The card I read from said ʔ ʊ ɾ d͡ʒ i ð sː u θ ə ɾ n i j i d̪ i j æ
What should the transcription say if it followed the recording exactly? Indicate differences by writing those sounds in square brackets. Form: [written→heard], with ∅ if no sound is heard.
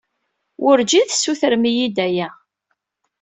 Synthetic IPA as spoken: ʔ ʊ ɾ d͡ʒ i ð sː u θ ə ɾ [n→m] i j i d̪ [i→æ] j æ